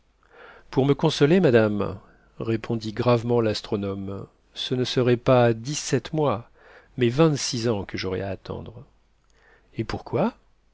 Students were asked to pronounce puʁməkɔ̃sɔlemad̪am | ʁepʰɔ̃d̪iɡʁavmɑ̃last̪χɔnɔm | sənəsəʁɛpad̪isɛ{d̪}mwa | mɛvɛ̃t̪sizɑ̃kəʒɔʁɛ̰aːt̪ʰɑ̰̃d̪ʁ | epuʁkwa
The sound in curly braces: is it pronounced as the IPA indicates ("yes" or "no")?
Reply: no